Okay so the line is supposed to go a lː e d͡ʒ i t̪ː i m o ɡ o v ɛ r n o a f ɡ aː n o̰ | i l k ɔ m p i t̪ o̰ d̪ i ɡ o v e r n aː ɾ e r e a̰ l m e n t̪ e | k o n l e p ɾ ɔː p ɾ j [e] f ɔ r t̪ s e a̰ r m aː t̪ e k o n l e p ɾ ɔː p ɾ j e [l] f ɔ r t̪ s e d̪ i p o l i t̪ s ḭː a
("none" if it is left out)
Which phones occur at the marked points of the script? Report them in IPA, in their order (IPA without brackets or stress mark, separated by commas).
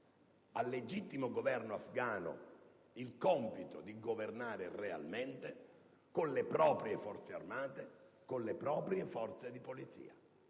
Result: e, none